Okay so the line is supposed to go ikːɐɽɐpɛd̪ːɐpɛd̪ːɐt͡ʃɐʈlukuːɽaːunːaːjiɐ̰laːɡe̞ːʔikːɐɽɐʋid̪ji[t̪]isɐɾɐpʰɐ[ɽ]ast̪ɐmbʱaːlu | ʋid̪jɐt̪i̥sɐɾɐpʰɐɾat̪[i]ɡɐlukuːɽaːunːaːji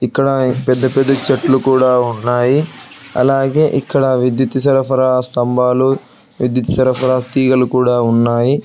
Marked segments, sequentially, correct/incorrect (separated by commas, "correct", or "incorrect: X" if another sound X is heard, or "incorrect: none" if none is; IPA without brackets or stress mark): correct, incorrect: ɾ, incorrect: iː